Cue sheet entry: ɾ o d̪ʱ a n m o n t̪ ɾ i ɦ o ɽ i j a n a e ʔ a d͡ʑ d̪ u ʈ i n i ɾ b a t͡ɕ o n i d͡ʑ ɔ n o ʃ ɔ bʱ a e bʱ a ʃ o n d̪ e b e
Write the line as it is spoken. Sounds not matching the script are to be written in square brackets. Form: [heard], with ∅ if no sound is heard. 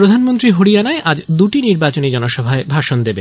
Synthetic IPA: ɾ o d̪ʱ a n m o n t̪ ɾ i ɦ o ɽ i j a n a e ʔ a d͡ʑ d̪ u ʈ i n i ɾ b a t͡ɕ o n i d͡ʑ ɔ n o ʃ ɔ bʱ a e bʱ a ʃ o n d̪ e b e

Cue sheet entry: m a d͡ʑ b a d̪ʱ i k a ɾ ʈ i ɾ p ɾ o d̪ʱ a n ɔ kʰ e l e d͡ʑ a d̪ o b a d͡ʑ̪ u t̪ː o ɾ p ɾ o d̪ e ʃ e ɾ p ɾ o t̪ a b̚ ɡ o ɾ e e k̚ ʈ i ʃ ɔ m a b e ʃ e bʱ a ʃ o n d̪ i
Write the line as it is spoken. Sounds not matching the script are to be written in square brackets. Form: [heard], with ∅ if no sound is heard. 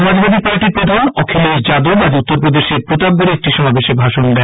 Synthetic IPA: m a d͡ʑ b a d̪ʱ i [p] a ɾ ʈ i ɾ p ɾ o d̪ʱ a n ɔ kʰ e l e d͡ʑ a d̪ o b a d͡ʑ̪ u t̪ː o ɾ p ɾ o d̪ e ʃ e ɾ p ɾ o t̪ a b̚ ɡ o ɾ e e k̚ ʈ i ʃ ɔ m a b e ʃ e bʱ a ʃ o n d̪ [ɛ]

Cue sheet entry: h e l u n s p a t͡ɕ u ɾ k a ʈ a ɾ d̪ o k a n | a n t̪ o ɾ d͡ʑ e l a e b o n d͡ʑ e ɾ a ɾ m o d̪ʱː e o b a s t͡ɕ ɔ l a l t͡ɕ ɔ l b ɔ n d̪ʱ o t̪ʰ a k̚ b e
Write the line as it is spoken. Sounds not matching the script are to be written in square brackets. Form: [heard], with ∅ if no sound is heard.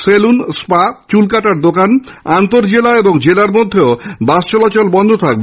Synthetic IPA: [s] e l u n s p a t͡ɕ u [l] k a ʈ a ɾ d̪ o k a n | a n t̪ o ɾ d͡ʑ e l a e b o [ŋ] d͡ʑ e [l] a ɾ m o d̪ʱː e o b a s t͡ɕ ɔ l a [∅] t͡ɕ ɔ l b ɔ n d̪ʱ o t̪ʰ a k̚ b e

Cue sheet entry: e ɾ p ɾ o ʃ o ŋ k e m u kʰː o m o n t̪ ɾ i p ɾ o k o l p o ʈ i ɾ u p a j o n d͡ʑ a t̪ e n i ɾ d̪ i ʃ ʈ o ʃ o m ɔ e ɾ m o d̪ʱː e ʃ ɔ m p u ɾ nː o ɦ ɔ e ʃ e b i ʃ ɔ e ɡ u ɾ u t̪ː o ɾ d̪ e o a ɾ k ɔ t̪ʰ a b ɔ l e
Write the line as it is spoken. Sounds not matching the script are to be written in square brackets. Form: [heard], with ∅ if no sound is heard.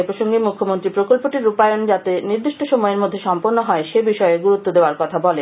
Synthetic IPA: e [∅] p ɾ o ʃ o ŋ [ɡ] e m u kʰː o m o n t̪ ɾ i p ɾ o k o l p o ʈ i ɾ u p a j o n d͡ʑ a t̪ e n i ɾ d̪ i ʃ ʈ o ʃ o m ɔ e ɾ m o d̪ʱː e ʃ ɔ m p [o] ɾ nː o ɦ ɔ e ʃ e b i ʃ ɔ e ɡ u ɾ u t̪ː o [∅] d̪ e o a ɾ k ɔ t̪ʰ a b ɔ l e

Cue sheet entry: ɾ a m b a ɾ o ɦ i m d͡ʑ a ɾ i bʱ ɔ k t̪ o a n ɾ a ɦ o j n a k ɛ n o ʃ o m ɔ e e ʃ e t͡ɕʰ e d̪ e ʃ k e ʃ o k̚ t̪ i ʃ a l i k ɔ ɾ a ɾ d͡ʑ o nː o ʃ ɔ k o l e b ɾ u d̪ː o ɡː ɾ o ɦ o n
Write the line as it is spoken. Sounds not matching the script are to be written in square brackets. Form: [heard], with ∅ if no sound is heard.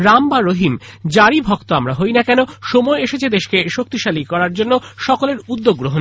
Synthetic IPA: ɾ a m b a ɾ o ɦ i m d͡ʑ a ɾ i bʱ ɔ k t̪ o a [m] ɾ a ɦ o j n a k ɛ n o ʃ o m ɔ e e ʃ e t͡ɕʰ e d̪ e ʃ k e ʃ o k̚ t̪ i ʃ a l i k ɔ ɾ a ɾ d͡ʑ o nː o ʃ ɔ k o l e [∅] ɾ u d̪ː o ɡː ɾ o ɦ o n

